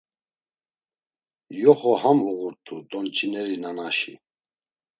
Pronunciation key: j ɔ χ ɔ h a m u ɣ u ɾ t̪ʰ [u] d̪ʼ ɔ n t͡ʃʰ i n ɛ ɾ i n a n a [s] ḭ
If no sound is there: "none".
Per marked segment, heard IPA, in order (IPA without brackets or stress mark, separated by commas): u, ʃ